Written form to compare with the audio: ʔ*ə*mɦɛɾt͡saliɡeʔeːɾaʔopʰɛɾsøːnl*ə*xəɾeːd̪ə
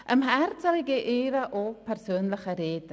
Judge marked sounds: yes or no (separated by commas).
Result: yes, yes